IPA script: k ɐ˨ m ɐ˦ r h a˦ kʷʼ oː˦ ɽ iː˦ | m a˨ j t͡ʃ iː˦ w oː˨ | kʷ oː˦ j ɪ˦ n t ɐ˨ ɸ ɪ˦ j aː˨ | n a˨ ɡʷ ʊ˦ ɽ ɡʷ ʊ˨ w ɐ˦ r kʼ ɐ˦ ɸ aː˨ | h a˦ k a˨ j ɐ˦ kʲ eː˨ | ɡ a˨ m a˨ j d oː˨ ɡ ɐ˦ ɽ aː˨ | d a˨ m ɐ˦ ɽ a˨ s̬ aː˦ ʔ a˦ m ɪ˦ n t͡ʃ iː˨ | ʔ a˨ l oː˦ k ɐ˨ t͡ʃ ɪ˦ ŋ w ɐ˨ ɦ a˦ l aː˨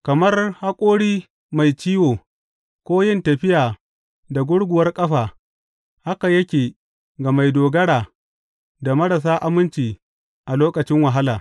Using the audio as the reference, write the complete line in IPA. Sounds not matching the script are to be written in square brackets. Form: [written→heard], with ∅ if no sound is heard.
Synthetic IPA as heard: k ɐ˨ m ɐ˦ r h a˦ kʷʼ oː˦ ɽ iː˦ | m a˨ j t͡ʃ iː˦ w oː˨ | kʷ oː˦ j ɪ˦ n t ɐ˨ ɸ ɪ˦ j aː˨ | [n→d] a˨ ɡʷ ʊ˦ ɽ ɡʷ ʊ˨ w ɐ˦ r kʼ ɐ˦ ɸ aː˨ | h a˦ k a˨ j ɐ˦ kʲ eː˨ | ɡ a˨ m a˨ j d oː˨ ɡ ɐ˦ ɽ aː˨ | d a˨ m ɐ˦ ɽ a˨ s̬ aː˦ ʔ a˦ m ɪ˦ n t͡ʃ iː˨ | ʔ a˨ l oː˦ k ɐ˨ t͡ʃ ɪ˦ ŋ w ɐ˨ ɦ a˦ l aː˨